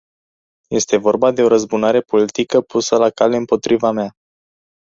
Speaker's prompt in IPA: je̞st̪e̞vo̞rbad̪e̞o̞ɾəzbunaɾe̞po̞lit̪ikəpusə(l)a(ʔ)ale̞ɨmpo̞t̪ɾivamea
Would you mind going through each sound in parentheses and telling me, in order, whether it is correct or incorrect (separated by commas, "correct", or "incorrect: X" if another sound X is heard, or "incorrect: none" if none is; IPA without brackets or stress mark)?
correct, incorrect: k